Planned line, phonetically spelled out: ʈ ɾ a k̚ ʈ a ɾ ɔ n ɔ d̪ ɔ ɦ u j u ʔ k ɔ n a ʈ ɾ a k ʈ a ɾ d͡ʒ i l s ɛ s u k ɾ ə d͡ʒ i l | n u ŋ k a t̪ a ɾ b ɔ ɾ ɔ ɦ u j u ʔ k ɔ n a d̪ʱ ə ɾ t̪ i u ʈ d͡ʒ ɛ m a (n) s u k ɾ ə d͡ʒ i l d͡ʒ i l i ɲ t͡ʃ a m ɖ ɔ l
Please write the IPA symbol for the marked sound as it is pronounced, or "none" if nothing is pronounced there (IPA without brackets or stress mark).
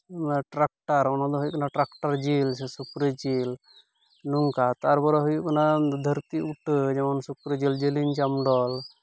n